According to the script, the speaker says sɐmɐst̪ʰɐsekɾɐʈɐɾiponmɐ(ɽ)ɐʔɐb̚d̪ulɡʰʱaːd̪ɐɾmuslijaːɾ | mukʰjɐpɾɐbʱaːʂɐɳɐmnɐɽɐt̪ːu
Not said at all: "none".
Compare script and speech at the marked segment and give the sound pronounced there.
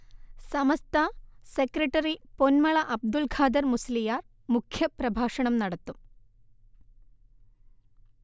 ɭ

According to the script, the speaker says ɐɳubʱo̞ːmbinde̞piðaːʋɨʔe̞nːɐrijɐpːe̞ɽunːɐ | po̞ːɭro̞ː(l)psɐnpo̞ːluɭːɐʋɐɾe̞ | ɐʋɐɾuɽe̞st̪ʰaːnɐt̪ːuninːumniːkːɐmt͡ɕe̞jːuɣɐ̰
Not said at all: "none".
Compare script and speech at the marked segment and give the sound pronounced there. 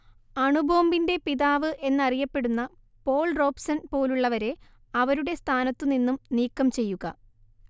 none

